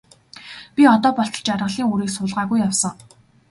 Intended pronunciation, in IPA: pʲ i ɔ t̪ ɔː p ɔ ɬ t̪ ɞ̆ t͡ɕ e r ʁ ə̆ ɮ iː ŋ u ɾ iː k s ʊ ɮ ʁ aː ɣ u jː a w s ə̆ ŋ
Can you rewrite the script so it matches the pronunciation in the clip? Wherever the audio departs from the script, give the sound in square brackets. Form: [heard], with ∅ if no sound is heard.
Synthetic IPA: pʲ i ɔ t̪ ɔː p ɔ ɬ t̪ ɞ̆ t͡ɕ [a] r ʁ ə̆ ɮ iː ŋ u ɾ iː k s ʊ ɮ ʁ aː ɣ u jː a w s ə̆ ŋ